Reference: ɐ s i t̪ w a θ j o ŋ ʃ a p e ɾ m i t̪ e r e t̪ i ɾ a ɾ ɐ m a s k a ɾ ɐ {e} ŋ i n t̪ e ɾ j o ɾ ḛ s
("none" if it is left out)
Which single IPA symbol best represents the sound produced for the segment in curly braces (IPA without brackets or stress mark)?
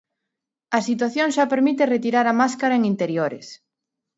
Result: e